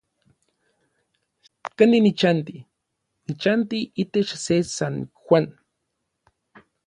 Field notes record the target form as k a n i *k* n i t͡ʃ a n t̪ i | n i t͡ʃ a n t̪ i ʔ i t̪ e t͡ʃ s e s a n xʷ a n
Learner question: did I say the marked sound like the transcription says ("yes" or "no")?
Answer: no